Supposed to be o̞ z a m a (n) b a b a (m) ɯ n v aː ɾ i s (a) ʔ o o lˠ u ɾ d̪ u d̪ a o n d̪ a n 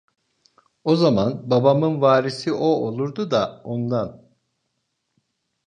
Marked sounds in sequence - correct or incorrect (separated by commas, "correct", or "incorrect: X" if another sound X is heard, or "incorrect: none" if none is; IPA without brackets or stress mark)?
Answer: correct, correct, incorrect: i